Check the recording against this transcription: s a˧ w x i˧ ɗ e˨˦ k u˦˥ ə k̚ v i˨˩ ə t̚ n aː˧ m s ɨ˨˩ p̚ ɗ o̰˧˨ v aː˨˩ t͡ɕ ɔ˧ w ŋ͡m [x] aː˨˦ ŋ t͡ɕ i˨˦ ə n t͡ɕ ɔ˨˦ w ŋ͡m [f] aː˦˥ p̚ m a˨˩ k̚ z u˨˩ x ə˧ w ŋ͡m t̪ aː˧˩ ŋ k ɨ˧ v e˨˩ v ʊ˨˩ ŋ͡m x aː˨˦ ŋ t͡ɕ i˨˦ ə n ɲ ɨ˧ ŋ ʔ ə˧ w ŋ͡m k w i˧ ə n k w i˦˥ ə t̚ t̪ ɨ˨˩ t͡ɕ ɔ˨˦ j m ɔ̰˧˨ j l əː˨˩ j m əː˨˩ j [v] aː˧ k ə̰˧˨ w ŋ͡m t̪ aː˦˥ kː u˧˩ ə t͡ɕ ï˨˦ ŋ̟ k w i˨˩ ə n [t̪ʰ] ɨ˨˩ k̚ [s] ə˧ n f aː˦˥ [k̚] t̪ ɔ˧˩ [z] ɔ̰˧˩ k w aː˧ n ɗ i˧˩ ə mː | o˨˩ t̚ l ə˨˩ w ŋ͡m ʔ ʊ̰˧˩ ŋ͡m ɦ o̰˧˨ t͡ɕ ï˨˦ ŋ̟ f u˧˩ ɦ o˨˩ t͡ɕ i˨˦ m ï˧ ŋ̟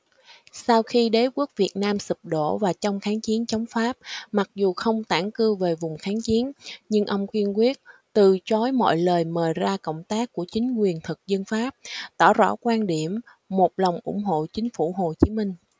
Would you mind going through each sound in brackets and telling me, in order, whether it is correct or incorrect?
correct, correct, incorrect: z, correct, incorrect: z, incorrect: p̚, correct

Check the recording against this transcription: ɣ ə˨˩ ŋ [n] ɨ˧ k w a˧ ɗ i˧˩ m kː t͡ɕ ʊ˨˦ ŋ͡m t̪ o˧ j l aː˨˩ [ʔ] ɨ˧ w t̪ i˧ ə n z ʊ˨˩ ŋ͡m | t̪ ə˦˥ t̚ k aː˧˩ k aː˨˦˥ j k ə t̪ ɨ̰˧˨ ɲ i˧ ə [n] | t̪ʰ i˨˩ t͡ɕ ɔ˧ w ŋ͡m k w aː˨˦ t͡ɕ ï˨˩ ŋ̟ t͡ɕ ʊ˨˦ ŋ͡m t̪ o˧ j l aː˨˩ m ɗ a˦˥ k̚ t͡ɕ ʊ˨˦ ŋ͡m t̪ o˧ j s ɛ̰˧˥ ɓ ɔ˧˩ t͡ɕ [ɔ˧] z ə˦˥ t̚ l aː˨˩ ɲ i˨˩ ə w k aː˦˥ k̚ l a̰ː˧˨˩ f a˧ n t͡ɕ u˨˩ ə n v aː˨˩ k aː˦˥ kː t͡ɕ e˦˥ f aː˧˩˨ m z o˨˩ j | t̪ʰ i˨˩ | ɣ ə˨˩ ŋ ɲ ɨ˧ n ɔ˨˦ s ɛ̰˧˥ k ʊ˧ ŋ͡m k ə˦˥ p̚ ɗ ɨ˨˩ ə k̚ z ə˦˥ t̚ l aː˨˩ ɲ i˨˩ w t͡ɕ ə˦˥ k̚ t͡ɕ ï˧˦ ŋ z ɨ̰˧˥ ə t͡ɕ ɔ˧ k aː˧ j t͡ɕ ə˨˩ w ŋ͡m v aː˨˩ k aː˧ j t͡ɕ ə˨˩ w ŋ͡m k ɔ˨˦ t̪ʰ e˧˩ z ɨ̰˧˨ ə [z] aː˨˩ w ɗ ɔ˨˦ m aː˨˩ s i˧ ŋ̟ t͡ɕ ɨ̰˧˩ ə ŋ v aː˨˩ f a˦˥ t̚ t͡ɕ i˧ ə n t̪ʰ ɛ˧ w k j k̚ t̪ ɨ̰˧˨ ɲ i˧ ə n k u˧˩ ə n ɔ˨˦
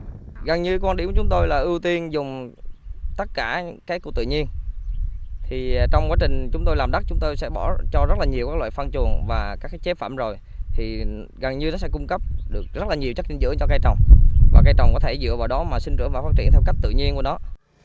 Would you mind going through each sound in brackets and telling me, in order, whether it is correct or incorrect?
incorrect: ɲ, correct, correct, correct, incorrect: v

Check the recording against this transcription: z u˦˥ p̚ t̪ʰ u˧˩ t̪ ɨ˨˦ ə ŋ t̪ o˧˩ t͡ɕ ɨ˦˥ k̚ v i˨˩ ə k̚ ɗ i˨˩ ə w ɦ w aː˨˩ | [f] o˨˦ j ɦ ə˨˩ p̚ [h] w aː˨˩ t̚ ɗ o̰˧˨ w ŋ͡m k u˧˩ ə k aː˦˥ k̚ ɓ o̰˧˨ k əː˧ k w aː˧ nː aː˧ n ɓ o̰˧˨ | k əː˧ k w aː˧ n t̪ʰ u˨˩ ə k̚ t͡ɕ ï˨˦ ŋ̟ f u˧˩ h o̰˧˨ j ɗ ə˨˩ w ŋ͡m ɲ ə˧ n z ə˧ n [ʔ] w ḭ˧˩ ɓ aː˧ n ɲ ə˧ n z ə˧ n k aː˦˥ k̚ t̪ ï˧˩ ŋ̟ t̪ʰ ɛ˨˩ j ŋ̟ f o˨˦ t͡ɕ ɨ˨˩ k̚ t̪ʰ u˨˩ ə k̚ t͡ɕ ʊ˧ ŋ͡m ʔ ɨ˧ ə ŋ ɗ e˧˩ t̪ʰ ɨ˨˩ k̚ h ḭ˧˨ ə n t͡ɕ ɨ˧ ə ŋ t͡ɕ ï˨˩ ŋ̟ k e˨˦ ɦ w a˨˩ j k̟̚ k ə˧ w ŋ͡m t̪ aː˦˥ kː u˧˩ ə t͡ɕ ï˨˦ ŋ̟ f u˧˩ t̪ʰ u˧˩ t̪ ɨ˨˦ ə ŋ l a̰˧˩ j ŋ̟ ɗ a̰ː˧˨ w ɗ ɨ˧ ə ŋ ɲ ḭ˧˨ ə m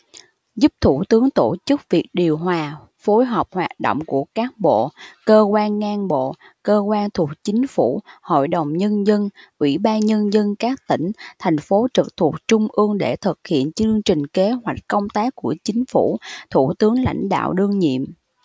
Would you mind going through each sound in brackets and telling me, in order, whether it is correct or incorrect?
correct, correct, correct

